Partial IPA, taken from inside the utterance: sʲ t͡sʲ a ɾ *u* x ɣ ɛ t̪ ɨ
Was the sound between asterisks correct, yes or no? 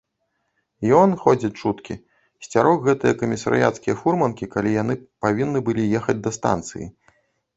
no